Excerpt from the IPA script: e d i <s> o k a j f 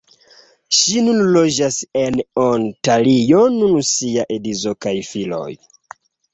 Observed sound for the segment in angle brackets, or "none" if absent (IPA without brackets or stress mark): z